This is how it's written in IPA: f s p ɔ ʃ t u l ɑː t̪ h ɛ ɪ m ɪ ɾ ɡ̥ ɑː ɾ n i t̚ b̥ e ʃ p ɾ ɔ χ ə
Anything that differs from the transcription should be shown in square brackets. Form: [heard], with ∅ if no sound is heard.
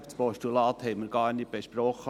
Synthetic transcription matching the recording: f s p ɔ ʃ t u l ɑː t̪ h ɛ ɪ m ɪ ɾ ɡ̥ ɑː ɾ n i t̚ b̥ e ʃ p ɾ ɔ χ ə